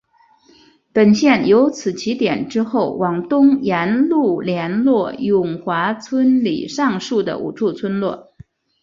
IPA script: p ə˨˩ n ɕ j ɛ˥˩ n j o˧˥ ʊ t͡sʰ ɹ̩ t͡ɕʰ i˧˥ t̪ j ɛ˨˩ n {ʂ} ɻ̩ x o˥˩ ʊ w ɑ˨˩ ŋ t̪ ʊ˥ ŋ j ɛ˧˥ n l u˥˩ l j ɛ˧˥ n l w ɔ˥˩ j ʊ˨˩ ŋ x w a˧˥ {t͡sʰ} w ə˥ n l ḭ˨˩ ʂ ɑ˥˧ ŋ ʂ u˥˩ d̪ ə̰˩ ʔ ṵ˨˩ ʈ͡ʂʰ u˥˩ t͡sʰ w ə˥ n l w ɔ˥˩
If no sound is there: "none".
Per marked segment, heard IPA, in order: ʈ͡ʂ, t͡sʰ

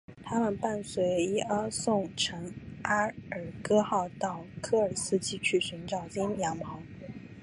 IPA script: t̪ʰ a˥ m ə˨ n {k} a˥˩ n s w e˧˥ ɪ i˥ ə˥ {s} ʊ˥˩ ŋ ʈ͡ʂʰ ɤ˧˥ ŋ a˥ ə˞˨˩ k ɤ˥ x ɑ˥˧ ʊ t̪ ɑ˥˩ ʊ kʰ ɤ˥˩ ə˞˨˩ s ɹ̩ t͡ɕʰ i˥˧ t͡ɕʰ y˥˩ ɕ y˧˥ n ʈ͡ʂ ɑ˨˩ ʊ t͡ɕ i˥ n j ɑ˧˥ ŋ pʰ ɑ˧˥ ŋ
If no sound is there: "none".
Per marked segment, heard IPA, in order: p, s

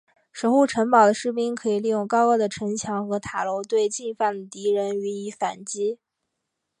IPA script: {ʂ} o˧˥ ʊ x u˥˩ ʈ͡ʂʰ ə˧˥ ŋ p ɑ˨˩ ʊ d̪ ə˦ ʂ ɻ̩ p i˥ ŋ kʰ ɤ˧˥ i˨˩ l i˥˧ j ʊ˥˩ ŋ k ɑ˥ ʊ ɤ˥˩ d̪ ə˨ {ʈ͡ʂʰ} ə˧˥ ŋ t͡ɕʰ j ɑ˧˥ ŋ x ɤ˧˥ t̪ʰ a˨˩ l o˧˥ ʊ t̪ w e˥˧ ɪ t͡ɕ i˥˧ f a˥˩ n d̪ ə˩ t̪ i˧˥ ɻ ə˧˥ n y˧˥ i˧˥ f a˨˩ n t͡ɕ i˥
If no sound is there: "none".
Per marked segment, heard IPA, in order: ʂ, ʈ͡ʂʰ

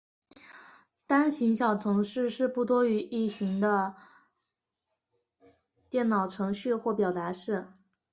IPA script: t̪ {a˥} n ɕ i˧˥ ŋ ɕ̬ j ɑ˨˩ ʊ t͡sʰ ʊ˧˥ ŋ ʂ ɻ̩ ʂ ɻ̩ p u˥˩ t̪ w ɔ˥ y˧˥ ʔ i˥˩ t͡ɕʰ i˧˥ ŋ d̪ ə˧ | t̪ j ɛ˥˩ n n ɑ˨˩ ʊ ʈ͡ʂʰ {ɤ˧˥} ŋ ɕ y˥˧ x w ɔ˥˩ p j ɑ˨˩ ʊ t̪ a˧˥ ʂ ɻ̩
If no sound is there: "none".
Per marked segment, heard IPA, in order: a˥, ɤ˧˥

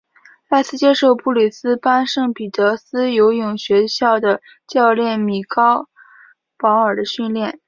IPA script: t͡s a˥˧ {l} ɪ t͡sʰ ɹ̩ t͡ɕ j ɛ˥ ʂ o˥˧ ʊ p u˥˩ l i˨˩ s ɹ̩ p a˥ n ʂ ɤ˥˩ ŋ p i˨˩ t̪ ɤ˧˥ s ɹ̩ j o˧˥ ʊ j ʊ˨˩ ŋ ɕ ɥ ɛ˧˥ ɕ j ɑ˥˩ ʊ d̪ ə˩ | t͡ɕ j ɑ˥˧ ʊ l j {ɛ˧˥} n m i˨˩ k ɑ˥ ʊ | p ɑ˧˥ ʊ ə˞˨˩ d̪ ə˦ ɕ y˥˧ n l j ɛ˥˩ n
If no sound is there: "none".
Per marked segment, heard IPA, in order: none, ɛ˥˩

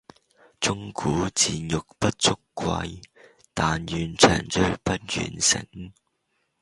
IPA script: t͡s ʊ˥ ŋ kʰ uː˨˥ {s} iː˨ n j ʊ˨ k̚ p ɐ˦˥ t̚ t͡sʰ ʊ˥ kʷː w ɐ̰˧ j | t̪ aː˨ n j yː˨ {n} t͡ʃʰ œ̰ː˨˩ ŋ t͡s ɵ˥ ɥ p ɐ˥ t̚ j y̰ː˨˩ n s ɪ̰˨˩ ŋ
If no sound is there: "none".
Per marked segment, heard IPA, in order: t͡s, n

